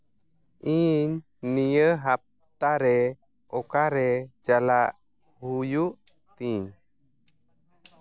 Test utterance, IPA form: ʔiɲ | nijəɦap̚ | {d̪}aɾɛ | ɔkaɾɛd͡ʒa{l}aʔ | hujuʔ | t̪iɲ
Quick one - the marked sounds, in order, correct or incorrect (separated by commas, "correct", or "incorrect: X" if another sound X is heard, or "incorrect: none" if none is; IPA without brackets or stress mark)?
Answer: incorrect: t̪, correct